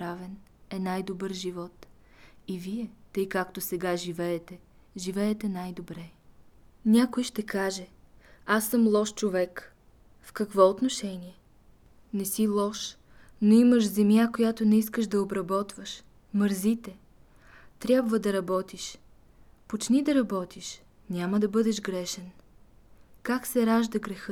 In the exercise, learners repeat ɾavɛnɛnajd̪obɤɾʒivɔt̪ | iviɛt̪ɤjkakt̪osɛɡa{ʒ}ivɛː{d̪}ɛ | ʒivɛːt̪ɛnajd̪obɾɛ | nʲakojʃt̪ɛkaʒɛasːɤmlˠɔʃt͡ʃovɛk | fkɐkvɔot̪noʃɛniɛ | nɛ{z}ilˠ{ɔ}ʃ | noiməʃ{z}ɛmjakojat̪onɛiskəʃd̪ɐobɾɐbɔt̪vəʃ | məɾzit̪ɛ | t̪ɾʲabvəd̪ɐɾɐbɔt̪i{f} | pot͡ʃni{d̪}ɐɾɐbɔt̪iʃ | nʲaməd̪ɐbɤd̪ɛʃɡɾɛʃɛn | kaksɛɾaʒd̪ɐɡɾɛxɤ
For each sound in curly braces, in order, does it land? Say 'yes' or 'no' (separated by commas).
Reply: yes, no, no, yes, yes, no, yes